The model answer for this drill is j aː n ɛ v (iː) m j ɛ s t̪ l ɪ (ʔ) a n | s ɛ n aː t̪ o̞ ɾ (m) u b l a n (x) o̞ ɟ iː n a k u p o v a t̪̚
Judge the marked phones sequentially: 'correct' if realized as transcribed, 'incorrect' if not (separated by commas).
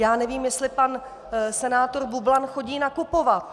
correct, incorrect, incorrect, correct